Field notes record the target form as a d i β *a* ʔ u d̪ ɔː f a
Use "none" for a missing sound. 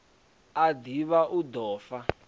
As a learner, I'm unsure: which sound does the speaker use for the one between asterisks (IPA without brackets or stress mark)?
a